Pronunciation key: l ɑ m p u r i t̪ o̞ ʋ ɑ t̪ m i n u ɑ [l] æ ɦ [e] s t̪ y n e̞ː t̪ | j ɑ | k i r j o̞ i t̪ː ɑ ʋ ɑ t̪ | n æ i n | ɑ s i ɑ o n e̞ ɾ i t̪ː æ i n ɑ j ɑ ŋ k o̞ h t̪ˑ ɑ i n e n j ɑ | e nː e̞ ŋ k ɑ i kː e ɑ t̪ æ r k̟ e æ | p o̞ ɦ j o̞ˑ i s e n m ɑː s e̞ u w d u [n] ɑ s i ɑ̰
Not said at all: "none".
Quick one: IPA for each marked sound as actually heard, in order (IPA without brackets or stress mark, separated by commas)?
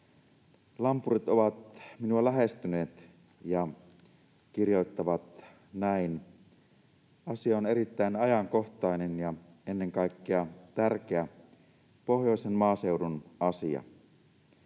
l, e, n